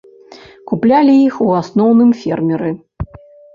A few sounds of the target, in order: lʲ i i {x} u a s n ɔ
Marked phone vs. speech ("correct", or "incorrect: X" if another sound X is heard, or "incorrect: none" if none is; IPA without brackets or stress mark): correct